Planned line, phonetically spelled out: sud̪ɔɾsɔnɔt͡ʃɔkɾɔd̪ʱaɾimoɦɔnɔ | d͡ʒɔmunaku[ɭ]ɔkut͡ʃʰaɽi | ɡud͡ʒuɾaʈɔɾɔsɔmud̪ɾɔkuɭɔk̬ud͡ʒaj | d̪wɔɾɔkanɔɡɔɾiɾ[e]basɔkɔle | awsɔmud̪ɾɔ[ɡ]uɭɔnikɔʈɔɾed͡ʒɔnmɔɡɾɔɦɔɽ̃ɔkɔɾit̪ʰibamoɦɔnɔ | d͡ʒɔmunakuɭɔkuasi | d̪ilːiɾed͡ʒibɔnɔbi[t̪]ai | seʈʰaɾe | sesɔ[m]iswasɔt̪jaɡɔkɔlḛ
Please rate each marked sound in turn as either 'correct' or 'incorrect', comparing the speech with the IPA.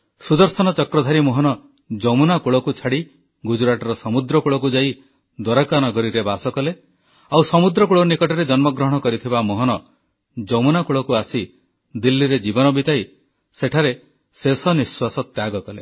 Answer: correct, correct, incorrect, correct, incorrect

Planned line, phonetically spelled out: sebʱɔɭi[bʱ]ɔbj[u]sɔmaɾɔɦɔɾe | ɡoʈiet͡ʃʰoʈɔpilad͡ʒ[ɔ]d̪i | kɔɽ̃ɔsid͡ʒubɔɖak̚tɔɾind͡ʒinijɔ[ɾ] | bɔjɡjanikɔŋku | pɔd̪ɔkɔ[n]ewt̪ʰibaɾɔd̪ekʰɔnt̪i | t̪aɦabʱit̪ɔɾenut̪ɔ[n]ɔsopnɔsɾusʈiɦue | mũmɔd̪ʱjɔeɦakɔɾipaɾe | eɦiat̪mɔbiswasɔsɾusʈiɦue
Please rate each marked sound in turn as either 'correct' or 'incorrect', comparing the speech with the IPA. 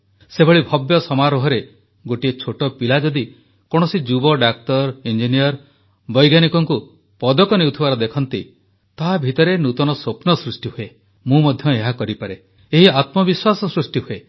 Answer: correct, incorrect, correct, correct, correct, correct

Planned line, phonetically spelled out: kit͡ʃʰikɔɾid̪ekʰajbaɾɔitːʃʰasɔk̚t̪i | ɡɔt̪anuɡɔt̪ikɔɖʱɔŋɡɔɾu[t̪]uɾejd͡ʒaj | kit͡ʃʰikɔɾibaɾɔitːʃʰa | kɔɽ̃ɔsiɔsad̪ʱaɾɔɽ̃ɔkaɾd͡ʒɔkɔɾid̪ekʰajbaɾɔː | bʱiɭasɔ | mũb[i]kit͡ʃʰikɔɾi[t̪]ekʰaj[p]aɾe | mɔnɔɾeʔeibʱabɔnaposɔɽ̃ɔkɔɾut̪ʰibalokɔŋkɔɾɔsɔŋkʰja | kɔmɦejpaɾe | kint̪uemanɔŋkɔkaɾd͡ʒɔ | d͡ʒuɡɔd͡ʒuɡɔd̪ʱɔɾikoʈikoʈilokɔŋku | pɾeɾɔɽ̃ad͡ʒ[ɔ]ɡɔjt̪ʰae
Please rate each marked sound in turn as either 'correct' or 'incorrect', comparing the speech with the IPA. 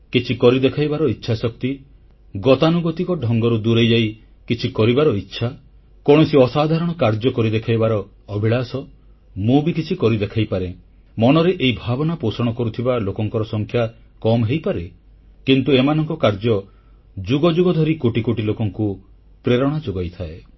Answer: incorrect, correct, incorrect, correct, incorrect

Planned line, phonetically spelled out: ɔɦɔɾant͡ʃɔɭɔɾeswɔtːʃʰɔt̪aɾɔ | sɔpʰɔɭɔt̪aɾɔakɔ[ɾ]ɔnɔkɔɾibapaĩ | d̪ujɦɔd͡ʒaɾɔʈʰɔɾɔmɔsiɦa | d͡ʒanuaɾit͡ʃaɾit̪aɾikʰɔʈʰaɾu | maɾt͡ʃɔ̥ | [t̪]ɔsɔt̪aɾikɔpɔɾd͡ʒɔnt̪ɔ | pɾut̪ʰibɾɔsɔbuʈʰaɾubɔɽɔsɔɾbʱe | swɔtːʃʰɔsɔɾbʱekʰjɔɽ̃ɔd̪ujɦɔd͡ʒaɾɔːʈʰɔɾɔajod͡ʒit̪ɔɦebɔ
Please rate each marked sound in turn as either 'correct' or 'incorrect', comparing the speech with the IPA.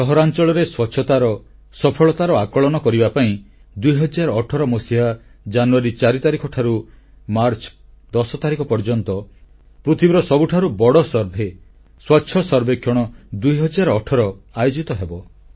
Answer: incorrect, incorrect

